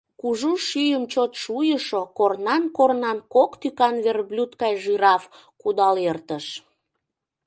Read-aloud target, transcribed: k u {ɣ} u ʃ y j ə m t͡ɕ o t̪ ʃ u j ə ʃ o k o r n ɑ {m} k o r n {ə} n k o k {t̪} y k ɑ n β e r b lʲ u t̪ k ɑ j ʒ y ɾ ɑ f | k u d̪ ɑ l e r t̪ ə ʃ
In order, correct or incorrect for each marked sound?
incorrect, incorrect, incorrect, correct

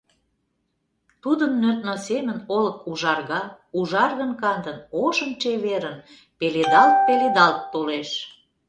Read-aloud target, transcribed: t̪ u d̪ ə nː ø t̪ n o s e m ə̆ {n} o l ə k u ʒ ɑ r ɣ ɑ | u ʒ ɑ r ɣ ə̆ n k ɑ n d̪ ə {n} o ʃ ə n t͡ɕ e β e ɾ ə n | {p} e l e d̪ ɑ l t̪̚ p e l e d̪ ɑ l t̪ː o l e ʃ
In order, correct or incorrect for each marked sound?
correct, correct, correct

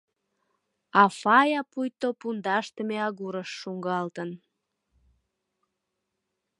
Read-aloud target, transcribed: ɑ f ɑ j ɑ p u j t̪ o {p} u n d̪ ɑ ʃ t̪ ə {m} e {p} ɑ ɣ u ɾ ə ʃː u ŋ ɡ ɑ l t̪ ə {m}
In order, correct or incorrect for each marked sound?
correct, correct, incorrect, incorrect

